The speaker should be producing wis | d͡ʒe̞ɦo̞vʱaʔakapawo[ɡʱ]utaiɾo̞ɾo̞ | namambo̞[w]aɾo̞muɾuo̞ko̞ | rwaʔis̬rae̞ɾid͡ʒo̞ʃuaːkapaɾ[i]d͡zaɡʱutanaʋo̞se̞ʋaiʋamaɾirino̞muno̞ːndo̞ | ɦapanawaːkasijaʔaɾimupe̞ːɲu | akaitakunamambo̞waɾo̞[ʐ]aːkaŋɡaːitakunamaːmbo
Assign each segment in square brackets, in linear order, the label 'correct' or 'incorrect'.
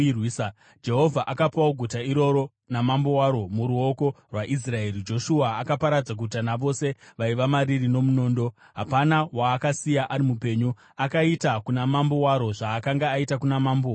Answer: correct, correct, incorrect, correct

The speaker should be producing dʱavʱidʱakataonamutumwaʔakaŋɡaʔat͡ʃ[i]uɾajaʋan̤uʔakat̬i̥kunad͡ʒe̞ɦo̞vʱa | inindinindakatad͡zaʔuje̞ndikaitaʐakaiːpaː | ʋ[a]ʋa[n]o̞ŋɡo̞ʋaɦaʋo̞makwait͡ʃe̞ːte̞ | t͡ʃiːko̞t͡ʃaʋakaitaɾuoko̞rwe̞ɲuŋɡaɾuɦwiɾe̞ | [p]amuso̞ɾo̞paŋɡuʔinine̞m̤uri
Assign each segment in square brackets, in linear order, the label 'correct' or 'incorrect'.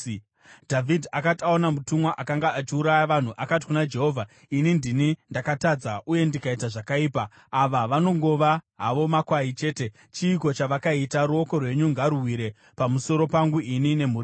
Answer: correct, correct, correct, correct

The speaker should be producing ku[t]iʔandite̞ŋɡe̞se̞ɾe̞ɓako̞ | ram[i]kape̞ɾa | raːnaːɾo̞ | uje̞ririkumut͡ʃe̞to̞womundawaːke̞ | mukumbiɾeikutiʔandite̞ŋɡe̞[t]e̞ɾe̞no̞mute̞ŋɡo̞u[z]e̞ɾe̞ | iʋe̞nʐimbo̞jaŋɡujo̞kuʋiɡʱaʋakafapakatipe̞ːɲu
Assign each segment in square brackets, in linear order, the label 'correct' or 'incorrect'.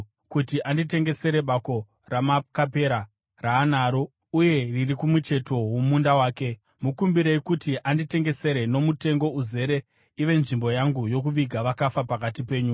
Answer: correct, incorrect, incorrect, correct

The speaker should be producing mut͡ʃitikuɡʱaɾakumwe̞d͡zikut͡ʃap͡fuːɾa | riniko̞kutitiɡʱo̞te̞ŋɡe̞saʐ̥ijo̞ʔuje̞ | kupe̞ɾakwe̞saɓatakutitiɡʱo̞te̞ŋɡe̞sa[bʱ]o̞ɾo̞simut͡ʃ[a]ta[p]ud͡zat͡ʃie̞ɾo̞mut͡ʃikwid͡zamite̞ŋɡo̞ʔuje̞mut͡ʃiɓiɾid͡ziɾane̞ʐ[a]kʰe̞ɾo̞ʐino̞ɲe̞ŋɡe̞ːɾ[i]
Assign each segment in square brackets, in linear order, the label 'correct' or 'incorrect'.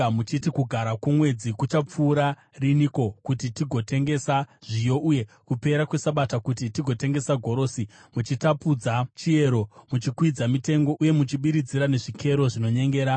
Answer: incorrect, incorrect, correct, incorrect, incorrect

